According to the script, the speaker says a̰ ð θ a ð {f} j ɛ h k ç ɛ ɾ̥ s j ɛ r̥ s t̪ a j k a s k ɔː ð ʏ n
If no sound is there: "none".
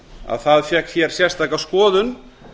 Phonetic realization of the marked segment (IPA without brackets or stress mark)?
f